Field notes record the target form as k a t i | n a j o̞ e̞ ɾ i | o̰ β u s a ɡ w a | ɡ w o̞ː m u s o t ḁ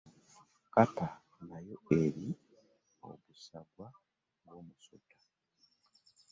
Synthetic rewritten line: k a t a | n a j o̞ e̞ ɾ i | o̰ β u s a ɡ w a | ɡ w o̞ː m u s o t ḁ